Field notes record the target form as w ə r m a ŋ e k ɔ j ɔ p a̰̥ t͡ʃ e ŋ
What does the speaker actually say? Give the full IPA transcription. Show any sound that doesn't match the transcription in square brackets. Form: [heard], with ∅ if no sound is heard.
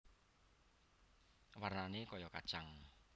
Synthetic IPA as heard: w [a] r [n] a [n] e k ɔ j ɔ [k] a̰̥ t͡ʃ [a] ŋ